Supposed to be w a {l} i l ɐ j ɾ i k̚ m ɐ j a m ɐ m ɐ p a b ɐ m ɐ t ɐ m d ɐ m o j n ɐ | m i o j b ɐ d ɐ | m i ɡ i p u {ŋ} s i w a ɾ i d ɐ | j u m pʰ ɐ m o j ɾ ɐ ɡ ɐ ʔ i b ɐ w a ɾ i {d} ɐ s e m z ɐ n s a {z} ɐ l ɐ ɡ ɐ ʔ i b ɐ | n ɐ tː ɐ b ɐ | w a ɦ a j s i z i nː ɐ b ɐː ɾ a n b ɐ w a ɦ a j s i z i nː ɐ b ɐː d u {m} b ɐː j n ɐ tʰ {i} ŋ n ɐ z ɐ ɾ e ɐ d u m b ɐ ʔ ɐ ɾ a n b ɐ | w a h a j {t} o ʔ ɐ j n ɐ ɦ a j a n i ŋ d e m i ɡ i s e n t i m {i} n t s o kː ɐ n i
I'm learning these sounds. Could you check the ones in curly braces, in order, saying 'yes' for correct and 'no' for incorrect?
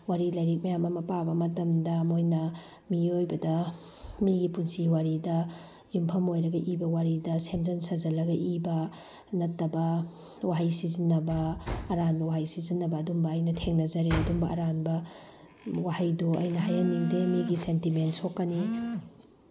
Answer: no, no, yes, yes, yes, no, no, no

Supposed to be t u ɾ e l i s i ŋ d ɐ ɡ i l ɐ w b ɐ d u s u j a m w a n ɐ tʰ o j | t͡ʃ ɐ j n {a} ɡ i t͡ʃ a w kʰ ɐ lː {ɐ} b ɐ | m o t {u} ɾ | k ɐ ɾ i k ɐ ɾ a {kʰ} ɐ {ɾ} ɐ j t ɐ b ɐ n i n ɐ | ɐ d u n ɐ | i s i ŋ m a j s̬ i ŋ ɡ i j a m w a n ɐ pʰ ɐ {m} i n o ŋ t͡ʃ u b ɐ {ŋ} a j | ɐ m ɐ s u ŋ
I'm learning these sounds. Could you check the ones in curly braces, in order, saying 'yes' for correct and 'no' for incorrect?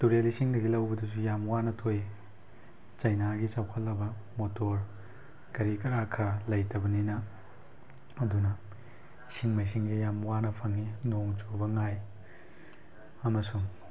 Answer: yes, yes, no, yes, no, no, yes

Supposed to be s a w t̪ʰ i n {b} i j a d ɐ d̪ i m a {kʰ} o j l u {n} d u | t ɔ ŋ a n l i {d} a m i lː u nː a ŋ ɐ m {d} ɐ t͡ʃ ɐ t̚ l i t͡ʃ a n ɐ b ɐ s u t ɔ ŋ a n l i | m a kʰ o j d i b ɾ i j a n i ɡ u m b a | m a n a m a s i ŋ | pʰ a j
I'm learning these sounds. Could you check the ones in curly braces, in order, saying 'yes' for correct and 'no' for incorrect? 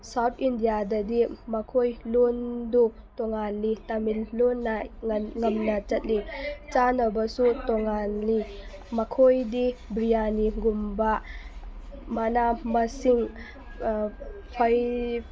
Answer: no, yes, yes, no, no

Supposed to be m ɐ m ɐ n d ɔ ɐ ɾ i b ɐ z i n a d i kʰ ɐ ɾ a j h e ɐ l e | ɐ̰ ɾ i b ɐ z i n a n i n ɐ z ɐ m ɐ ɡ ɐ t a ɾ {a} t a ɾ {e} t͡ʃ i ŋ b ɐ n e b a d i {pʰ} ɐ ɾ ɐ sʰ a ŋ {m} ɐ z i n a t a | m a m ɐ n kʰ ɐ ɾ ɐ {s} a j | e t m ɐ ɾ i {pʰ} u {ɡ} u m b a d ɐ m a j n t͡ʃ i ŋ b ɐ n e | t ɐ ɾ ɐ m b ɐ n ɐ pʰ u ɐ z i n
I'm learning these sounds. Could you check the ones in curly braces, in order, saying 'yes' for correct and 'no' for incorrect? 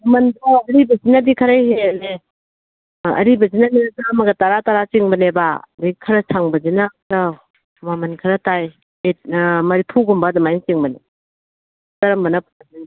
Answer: yes, no, no, no, no, yes, yes

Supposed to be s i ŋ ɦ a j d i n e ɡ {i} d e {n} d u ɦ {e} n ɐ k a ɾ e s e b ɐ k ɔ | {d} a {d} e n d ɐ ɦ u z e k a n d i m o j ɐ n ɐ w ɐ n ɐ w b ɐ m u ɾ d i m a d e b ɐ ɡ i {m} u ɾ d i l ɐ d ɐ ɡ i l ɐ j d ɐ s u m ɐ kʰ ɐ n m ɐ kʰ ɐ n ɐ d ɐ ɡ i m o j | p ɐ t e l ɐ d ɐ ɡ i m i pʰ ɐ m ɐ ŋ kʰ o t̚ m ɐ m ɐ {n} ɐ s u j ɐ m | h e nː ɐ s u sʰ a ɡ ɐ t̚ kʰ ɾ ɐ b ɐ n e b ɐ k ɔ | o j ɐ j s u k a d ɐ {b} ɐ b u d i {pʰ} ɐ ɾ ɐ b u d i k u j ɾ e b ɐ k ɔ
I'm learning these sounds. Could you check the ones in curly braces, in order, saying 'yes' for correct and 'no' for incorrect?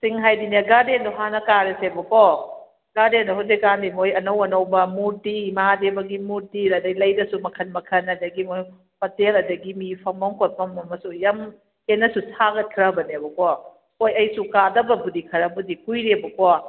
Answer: no, yes, no, no, yes, yes, no, yes, no

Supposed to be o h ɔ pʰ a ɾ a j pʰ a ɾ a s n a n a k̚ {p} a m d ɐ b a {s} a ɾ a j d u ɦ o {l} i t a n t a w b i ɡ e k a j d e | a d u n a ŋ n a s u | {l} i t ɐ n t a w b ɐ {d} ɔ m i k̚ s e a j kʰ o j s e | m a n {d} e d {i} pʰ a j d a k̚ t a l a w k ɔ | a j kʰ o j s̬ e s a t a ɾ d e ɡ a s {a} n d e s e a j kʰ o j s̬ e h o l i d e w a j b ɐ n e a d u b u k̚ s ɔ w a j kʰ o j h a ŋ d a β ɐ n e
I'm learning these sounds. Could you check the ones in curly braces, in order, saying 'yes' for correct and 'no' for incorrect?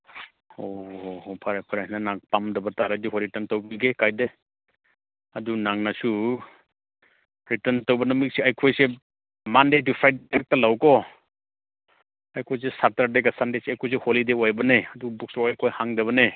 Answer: yes, no, no, no, no, yes, yes, yes

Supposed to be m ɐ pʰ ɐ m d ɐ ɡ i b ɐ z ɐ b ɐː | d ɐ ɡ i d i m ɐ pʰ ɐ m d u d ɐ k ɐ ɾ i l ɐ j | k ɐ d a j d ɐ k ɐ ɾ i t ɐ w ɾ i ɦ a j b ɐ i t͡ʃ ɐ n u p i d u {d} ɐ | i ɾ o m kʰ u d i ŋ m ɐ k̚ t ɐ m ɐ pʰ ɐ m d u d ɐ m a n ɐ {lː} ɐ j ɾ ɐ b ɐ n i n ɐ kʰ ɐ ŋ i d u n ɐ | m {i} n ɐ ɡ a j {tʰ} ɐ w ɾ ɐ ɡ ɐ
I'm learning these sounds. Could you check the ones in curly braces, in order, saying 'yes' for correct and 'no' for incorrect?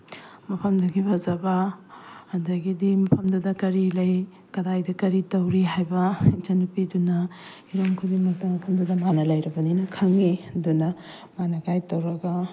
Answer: no, no, no, no

